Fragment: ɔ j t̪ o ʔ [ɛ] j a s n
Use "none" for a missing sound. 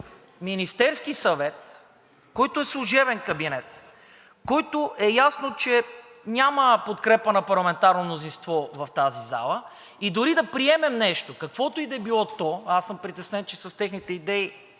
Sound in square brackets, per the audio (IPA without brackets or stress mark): ɛ